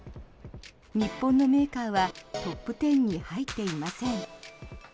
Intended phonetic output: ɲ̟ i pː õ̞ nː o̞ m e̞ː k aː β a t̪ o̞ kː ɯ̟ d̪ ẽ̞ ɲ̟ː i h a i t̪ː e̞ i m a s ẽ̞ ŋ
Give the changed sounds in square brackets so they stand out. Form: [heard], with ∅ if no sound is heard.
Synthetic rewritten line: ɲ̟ i pː õ̞ nː o̞ m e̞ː k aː β a t̪ o̞ [pː] ɯ̟ [t̪] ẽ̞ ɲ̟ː i h a i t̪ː e̞ i m a s ẽ̞ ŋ

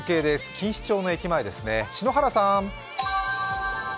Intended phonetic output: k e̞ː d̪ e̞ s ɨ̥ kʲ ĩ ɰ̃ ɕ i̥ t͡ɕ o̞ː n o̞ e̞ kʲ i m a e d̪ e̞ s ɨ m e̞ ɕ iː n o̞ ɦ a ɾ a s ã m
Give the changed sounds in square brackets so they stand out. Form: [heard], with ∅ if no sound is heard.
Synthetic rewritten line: k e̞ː d̪ e̞ s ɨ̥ kʲ ĩ ɰ̃ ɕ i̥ t͡ɕ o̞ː n o̞ e̞ kʲ i m a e d̪ e̞ s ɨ [n] e̞ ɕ [i] n o̞ ɦ a ɾ a s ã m

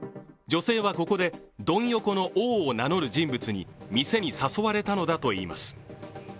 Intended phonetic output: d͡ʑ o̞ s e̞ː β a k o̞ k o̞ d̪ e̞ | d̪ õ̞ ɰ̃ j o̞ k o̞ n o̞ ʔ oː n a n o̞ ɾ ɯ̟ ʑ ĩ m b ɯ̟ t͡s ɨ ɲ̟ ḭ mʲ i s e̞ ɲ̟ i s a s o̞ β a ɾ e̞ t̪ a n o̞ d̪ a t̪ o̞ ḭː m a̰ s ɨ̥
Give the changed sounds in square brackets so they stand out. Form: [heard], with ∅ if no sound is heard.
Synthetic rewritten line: d͡ʑ o̞ s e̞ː β a k o̞ k o̞ d̪ e̞ | d̪ õ̞ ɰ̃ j o̞ k o̞ n o̞ ʔ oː n a n o̞ ɾ ɯ̟ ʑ ĩ m b ɯ̟ t͡s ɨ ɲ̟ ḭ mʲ i s e̞ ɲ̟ i s a s o̞ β a ɾ e̞ t̪ a n o̞ d̪ a t̪ o̞ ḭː m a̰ s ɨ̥

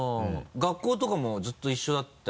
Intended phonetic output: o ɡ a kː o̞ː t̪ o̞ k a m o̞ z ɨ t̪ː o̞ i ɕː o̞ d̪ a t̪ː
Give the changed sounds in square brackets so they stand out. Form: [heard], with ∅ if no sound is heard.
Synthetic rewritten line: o ɡ a kː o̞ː t̪ o̞ k a m o̞ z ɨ t̪ː o̞ i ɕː o̞ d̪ a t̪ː

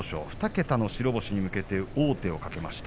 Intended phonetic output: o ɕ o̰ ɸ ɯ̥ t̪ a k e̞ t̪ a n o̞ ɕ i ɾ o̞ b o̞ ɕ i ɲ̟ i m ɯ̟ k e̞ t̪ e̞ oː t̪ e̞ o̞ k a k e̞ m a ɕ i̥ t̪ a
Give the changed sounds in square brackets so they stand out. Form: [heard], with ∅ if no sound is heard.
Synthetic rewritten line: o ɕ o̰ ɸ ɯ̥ t̪ a k e̞ t̪ a n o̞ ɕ i ɾ o̞ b o̞ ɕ i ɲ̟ i m ɯ̟ k e̞ t̪ e̞ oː t̪ e̞ o̞ k a k e̞ m a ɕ i̥ t̪ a

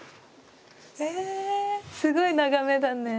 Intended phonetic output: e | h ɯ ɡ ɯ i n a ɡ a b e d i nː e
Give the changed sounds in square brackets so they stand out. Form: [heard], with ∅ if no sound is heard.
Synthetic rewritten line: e | [s] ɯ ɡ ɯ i n a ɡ a [m] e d [a] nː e

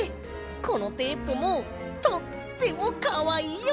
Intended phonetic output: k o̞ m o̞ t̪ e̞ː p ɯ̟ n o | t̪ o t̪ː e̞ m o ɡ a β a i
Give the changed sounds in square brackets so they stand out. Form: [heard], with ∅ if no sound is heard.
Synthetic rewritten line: k o̞ [n] o̞ t̪ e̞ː p ɯ̟ [m] o | t̪ o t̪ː e̞ m o [k] a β a i

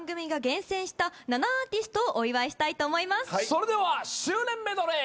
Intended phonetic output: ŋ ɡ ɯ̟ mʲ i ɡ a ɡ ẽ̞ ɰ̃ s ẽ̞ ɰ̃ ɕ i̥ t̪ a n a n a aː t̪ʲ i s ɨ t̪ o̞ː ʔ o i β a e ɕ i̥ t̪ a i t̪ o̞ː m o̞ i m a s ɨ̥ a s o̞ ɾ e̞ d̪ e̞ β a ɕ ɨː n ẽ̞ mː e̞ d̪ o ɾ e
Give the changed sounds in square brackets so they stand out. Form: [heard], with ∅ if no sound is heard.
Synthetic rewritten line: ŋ ɡ ɯ̟ mʲ i ɡ a ɡ ẽ̞ ɰ̃ s ẽ̞ ɰ̃ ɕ i̥ t̪ a n a n a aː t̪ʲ i s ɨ t̪ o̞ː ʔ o i β a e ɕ i̥ t̪ a i t̪ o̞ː m o̞ i m a s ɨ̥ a s o̞ ɾ e̞ d̪ e̞ β a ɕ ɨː n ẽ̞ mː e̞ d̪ o ɾ e

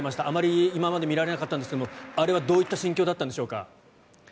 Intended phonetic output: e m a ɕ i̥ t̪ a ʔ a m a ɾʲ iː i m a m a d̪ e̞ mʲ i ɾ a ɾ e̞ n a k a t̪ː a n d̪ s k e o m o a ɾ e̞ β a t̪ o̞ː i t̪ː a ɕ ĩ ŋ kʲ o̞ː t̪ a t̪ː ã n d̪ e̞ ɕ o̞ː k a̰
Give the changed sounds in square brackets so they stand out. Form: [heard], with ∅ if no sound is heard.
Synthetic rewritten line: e m a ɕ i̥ t̪ a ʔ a m a ɾʲ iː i m a m a d̪ e̞ mʲ i ɾ a ɾ e̞ n a k a t̪ː a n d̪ s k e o m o a ɾ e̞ β a [d̪] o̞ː i t̪ː a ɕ ĩ ŋ kʲ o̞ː [d̪] a t̪ː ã n d̪ e̞ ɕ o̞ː k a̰

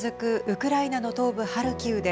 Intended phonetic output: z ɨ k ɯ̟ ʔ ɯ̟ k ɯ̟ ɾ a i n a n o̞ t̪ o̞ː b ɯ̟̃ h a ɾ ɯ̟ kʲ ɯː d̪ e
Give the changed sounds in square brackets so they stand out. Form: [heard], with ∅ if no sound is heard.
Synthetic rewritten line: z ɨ k ɯ̟ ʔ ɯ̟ k ɯ̟ ɾ a i n a n o̞ t̪ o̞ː b [ɯ̟] h a ɾ ɯ̟ kʲ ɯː d̪ e

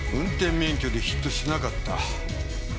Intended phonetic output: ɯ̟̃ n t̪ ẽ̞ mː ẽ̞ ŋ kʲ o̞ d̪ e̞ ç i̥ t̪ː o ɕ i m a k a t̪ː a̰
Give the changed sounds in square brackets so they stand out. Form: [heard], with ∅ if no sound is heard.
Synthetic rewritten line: ɯ̟̃ n t̪ ẽ̞ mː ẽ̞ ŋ kʲ o̞ d̪ e̞ ç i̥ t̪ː o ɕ i [n] a k a t̪ː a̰

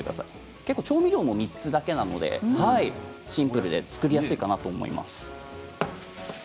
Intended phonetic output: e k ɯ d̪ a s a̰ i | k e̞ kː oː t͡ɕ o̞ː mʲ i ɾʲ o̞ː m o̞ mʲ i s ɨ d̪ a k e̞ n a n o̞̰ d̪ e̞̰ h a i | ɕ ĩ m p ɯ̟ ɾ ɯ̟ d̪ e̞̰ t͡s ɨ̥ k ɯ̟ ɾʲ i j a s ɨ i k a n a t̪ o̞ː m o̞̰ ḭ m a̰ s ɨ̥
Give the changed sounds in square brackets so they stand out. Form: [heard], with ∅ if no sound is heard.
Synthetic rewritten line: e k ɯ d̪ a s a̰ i | k e̞ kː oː t͡ɕ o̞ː mʲ i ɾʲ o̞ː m o̞ mʲ i [t͡s] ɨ d̪ a k e̞ n a n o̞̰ d̪ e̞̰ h a i | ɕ ĩ m p ɯ̟ ɾ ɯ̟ d̪ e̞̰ t͡s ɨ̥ k ɯ̟ ɾʲ i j a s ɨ i k a n a t̪ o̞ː m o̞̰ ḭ m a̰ s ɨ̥

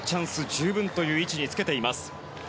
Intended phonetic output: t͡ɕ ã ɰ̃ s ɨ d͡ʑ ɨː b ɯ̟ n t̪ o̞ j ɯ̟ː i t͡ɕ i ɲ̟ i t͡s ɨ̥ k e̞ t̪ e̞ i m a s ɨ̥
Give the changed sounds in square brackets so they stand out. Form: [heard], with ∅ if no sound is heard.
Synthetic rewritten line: t͡ɕ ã ɰ̃ s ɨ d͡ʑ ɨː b [ɯ̟̃] n t̪ o̞ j ɯ̟ː i t͡ɕ i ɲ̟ i t͡s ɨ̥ k e̞ t̪ e̞ i m a s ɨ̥

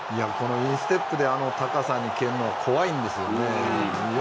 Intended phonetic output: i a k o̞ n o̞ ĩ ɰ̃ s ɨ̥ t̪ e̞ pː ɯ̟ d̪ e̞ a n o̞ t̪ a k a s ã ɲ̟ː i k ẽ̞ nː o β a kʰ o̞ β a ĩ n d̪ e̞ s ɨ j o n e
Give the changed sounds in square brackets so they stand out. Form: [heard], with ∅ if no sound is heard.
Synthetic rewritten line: i a k o̞ n o̞ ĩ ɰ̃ s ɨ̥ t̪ e̞ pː ɯ̟ d̪ e̞ a n o̞ t̪ a k a s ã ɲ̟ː i k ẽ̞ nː o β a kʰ o̞ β a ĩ n d̪ e̞ s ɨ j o n e

